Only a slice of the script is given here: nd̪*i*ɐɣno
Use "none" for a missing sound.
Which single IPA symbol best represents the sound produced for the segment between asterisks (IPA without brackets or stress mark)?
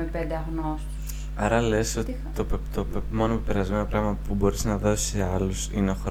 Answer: e